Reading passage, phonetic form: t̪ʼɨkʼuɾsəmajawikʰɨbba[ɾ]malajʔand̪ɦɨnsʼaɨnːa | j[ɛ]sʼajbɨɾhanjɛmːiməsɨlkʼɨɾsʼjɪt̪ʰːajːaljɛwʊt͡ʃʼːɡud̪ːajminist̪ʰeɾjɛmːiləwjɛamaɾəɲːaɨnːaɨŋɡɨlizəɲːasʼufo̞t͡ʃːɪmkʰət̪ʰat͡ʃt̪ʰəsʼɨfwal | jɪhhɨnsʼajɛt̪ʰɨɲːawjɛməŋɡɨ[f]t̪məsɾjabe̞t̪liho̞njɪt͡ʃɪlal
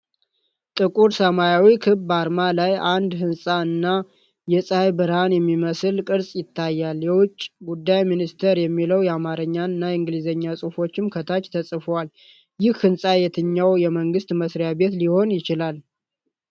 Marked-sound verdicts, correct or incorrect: correct, correct, incorrect: s

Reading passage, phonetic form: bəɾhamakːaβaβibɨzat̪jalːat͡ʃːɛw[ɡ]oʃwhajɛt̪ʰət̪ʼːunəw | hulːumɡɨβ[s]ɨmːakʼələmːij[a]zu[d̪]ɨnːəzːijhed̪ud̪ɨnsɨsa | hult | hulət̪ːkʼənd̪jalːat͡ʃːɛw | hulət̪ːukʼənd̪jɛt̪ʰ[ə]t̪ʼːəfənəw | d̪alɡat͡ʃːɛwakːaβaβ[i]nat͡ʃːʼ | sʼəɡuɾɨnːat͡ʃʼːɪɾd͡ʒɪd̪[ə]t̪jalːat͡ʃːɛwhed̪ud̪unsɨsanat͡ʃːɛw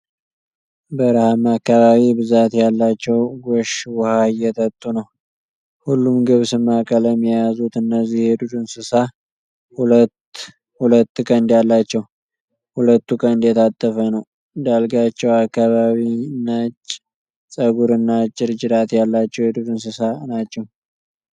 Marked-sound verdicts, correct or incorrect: correct, correct, correct, incorrect: t̪, incorrect: a, correct, incorrect: a

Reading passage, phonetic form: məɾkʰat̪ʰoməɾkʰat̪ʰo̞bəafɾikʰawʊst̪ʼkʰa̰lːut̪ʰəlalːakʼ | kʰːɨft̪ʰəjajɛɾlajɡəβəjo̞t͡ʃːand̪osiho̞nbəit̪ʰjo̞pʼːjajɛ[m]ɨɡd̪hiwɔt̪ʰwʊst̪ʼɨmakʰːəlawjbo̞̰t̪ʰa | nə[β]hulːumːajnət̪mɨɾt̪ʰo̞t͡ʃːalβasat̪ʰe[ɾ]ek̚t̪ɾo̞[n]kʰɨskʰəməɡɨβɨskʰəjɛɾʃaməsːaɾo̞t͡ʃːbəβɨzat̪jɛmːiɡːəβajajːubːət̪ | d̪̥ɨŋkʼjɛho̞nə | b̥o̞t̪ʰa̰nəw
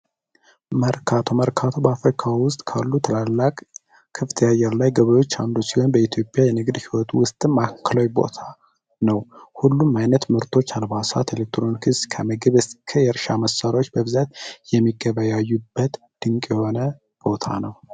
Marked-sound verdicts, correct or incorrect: incorrect: n, incorrect: w, incorrect: l, correct

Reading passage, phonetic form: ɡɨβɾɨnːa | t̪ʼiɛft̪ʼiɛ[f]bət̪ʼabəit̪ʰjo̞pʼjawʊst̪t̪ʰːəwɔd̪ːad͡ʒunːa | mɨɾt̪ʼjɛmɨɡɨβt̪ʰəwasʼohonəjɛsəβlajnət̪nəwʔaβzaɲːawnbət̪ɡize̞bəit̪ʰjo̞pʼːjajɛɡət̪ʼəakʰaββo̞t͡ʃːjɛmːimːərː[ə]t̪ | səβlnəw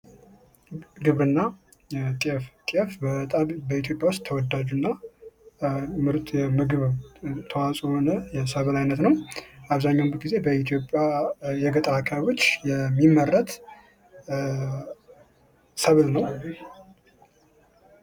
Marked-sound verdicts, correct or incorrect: correct, correct

